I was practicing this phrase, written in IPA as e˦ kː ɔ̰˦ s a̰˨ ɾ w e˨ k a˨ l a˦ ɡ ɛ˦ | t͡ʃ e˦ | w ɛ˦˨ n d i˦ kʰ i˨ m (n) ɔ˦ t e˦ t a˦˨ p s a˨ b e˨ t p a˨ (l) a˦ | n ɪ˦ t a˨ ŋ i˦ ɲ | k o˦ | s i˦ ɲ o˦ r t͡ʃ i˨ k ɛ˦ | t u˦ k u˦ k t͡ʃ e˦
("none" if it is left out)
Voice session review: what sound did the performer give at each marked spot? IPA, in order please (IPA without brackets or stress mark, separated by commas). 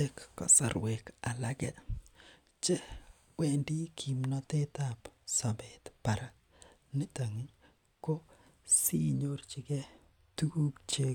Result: n, ɾ